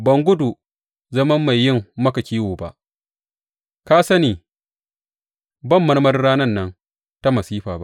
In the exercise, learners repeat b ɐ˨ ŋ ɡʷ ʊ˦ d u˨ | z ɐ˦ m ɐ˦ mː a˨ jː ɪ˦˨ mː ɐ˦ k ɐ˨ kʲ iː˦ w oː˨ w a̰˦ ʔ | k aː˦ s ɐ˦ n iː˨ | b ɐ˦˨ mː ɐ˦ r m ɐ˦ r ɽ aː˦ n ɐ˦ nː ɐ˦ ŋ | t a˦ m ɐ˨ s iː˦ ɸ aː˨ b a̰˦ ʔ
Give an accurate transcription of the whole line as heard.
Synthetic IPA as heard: b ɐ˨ ŋ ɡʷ ʊ˦ d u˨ | z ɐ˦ m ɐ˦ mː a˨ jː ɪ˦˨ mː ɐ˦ k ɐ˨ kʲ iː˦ w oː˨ b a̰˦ ʔ | k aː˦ s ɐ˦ n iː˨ | b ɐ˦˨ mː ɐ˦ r m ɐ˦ r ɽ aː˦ n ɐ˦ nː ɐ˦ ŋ | t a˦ m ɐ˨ s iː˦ ɸ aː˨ b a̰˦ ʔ

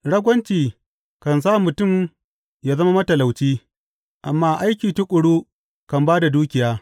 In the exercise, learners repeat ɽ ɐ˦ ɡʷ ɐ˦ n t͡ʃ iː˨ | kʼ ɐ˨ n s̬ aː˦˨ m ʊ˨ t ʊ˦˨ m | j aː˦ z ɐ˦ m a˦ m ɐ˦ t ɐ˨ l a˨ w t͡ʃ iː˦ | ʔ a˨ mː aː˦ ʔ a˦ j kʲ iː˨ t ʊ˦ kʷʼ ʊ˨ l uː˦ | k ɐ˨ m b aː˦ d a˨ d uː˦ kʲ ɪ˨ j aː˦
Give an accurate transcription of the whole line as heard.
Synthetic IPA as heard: ɽ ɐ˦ ɡʷ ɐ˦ n t͡ʃ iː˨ | k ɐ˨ n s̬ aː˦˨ m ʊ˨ t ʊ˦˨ m | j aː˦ z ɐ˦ m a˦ m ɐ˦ t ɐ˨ l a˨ w t͡ʃ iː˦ | ʔ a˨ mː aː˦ ʔ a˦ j kʲ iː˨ t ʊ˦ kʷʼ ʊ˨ ɽ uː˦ | k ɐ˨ m b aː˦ d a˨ d uː˦ kʲ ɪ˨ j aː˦

